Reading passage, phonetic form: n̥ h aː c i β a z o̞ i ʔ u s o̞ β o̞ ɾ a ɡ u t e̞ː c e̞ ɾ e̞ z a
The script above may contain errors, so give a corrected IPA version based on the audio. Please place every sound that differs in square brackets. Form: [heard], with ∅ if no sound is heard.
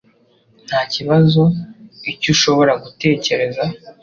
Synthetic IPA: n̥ h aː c i β a z o̞ i [c] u [ʃ] o̞ β o̞ ɾ a ɡ u t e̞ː c e̞ ɾ e̞ z a